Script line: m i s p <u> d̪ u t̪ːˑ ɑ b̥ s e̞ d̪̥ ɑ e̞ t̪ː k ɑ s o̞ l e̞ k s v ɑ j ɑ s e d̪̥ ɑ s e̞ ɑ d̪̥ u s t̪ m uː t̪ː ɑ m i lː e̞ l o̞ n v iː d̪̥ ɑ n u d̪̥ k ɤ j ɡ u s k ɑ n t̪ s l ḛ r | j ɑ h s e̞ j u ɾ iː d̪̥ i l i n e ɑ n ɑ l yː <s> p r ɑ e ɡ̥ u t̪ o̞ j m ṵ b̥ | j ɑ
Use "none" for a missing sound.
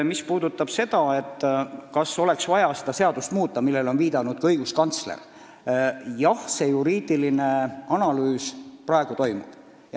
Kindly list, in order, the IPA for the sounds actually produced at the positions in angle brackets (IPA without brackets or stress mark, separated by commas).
uː, s